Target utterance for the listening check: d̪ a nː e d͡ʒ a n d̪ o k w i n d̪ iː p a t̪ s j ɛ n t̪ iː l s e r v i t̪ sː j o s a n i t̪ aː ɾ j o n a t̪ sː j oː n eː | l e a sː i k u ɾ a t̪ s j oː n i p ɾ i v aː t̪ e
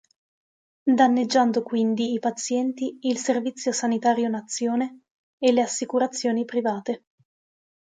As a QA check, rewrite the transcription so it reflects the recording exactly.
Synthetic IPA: d̪ a nː e d͡ʒː a n d̪ o k w i n d̪ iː p a t̪ s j ɛ n t̪ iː l s e r v i t̪ sː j o s a n i t̪ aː ɾ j o n a t̪ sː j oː n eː | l e a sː i k u ɾ a t̪ sː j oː n i p ɾ i v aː t̪ e